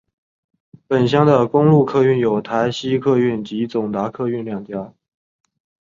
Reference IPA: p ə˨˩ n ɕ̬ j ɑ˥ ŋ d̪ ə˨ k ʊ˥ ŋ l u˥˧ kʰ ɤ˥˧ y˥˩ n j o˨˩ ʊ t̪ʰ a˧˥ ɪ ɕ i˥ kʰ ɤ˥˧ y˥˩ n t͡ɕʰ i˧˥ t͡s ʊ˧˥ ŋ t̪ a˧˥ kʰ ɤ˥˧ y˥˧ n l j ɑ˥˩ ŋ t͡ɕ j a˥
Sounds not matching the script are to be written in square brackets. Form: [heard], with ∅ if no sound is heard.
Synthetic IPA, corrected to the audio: p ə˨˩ n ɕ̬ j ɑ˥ ŋ d̪ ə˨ k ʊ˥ ŋ l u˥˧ kʰ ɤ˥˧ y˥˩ n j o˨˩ ʊ t̪ʰ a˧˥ ɪ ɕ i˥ kʰ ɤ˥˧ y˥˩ n [t͡ɕ] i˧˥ t͡s [ʊ˨˩] ŋ t̪ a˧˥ kʰ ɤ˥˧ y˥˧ n l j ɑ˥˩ ŋ t͡ɕ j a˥